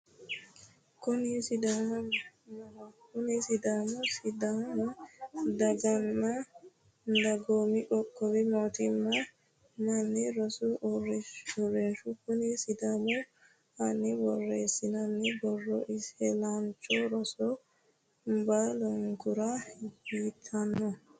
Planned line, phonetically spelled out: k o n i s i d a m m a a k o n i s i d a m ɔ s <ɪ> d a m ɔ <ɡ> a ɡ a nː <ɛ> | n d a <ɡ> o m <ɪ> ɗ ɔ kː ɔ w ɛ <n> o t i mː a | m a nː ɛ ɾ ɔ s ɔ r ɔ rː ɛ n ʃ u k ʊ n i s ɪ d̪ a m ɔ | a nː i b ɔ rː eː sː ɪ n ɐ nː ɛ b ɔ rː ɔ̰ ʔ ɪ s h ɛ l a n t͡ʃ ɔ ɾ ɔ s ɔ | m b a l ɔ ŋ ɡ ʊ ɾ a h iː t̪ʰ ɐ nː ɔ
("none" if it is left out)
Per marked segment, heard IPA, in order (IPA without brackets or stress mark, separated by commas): i, d, a, ɡ, i, m